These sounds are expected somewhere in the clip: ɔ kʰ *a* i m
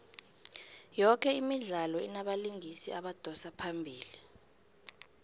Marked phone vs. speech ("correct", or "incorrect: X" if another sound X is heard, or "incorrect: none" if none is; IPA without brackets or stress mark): incorrect: ɛ